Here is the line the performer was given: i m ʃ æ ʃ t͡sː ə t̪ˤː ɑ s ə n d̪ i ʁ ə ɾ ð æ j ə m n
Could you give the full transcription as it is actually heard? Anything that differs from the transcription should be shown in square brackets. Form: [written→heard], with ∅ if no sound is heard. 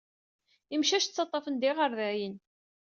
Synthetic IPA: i m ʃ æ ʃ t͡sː [ə→ɑ] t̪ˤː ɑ [s→f] ə n d̪ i ʁ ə ɾ ð æ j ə [m→∅] n